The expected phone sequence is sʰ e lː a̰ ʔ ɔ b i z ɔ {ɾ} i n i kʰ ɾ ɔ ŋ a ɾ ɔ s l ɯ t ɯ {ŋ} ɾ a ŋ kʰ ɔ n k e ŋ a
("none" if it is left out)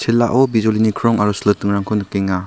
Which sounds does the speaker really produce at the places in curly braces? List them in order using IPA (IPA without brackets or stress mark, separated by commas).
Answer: l, ŋ